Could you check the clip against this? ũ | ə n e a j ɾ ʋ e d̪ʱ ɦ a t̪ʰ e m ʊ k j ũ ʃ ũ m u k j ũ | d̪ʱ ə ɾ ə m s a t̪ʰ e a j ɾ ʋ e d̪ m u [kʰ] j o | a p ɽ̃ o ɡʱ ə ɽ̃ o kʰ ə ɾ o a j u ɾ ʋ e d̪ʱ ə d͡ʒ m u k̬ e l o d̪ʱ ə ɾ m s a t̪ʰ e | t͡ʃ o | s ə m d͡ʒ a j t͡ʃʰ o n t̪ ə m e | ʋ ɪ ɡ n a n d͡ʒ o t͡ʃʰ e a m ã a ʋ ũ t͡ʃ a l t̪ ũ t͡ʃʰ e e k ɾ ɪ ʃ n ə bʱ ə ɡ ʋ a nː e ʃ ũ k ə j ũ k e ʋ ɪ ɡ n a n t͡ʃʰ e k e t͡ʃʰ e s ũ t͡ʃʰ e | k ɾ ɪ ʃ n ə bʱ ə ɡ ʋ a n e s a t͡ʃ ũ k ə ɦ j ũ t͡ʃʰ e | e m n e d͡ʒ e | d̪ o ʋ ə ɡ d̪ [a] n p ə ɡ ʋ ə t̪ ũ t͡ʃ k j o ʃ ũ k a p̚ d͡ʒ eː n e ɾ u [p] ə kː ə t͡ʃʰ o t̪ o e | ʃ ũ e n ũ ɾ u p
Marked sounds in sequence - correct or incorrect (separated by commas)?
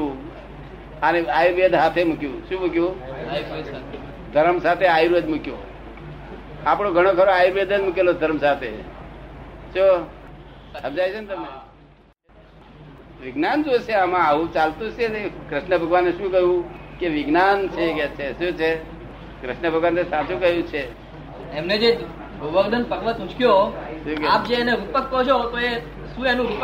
incorrect, incorrect, correct